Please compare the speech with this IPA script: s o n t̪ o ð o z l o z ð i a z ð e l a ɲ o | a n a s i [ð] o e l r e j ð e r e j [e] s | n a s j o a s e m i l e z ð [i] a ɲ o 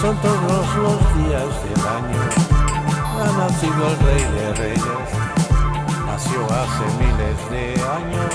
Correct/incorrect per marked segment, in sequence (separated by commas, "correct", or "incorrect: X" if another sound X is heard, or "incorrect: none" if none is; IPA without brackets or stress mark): correct, correct, incorrect: e